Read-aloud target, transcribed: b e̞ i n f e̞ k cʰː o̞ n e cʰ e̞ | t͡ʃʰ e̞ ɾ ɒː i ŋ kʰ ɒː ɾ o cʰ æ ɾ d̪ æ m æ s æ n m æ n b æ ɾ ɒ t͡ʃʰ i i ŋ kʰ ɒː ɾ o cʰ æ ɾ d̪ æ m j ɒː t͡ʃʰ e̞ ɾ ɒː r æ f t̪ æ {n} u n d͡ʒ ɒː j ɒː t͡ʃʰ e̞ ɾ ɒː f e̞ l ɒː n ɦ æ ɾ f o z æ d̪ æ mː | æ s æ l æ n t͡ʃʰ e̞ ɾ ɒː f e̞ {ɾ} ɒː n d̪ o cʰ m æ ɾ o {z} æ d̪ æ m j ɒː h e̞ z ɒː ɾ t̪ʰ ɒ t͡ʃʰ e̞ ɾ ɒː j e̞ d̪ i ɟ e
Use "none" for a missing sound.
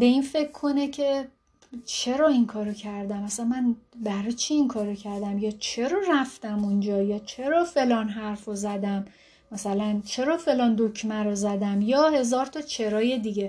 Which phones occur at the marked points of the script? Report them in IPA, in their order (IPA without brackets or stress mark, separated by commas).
m, l, z